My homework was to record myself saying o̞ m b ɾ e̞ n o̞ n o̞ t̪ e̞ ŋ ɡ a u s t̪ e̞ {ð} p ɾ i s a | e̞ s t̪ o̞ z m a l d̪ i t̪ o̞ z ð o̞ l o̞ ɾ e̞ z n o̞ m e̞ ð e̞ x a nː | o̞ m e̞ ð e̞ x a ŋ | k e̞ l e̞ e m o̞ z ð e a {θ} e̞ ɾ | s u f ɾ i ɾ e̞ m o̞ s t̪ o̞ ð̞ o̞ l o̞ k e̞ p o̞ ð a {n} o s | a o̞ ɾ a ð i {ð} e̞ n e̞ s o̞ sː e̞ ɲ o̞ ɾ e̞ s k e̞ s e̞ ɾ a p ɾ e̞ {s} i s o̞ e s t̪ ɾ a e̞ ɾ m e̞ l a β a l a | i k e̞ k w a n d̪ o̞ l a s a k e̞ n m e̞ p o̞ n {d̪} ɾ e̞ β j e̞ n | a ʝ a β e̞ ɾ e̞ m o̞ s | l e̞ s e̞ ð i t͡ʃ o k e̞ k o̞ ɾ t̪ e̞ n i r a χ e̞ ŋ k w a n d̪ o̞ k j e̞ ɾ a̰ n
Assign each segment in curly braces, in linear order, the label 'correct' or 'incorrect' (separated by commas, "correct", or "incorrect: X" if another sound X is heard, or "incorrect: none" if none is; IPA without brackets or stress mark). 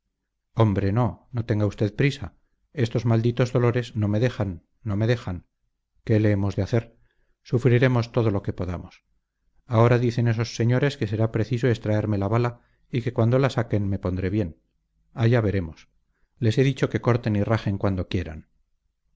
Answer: correct, correct, incorrect: m, incorrect: θ, incorrect: θ, correct